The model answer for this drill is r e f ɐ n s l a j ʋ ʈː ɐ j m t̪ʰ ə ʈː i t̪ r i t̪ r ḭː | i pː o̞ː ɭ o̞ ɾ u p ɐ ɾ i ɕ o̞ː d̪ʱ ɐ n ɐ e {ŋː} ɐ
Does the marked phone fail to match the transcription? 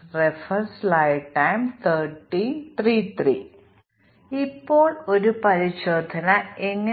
no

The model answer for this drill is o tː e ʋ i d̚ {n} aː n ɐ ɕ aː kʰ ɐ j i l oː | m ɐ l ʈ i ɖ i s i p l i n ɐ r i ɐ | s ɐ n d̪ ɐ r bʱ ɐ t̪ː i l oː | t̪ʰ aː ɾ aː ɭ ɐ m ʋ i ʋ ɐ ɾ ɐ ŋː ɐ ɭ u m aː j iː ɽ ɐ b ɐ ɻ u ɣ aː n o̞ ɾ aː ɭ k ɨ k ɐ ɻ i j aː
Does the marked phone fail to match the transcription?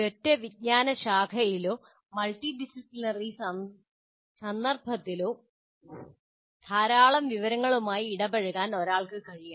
yes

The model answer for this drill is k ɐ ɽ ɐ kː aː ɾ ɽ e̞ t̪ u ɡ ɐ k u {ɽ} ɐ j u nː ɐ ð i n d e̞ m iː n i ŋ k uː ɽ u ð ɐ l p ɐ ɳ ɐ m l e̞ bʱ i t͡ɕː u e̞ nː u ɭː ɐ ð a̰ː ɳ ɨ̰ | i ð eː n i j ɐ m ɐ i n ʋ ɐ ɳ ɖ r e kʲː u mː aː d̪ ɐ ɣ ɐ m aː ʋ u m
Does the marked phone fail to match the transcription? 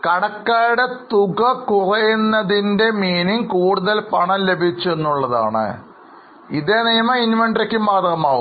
yes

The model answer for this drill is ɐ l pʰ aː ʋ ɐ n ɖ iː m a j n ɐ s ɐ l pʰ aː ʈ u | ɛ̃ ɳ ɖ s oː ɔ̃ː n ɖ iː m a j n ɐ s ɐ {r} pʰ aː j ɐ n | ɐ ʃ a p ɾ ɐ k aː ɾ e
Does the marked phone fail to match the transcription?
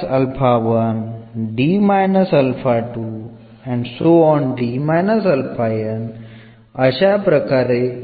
yes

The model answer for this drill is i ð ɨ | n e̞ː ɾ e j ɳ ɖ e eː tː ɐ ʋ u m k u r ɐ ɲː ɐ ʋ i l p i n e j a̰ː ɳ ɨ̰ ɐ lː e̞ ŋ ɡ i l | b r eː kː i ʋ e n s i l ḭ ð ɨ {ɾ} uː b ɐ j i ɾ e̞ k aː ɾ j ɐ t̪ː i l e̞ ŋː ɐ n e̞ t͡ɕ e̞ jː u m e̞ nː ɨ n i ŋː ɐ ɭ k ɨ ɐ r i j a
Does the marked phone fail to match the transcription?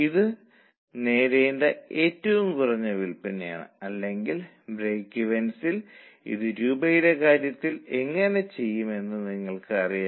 no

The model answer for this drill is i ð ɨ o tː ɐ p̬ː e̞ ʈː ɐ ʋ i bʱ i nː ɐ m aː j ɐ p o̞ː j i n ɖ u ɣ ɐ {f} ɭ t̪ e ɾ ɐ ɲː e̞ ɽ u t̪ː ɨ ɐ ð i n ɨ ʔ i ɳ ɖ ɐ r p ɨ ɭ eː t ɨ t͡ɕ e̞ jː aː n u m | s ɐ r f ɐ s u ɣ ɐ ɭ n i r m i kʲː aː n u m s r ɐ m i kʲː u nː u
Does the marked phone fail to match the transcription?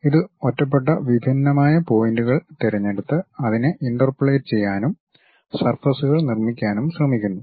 yes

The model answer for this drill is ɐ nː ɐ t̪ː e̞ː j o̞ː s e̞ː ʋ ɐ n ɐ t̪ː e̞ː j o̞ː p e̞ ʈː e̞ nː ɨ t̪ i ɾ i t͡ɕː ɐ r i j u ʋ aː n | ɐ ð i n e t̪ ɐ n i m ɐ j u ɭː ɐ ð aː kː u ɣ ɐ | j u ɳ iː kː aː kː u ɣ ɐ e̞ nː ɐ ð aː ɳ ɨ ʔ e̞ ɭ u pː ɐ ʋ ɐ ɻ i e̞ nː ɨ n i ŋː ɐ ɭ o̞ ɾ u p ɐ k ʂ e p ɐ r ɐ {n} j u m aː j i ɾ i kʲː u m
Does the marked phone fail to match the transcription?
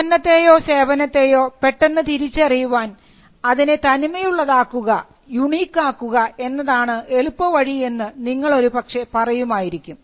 yes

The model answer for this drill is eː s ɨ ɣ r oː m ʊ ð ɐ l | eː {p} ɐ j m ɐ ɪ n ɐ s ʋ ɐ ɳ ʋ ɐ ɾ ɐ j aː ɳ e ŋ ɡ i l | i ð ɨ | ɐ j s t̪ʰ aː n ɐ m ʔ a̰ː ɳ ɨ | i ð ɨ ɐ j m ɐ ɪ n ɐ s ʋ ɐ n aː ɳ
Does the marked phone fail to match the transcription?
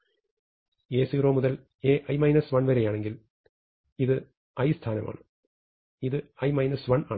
yes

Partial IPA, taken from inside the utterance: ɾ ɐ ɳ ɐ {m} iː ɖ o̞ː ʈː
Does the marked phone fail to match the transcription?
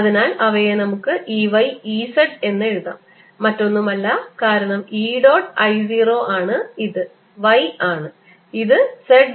no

